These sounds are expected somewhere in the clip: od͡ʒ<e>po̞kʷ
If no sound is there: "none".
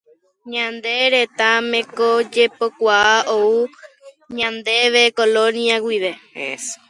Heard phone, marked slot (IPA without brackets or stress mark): e